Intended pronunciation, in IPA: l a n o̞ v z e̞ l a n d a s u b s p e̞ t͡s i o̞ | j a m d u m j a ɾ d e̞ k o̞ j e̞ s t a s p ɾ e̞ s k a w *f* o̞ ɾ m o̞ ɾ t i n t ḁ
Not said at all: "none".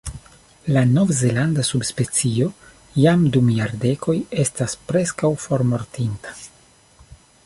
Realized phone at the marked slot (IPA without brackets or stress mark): f